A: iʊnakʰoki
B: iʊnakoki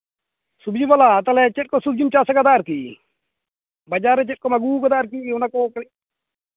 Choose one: B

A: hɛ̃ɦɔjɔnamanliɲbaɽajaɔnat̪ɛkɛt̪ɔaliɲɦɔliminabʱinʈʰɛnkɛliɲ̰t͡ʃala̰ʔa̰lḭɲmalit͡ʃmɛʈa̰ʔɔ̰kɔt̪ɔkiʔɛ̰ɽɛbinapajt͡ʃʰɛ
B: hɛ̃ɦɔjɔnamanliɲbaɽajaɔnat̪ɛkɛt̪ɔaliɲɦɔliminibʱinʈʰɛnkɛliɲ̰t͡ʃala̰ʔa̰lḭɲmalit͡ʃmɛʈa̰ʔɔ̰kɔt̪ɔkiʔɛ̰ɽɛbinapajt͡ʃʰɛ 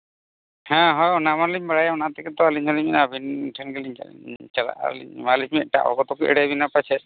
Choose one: A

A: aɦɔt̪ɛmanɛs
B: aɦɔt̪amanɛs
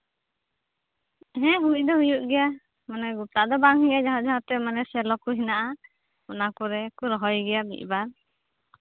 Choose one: A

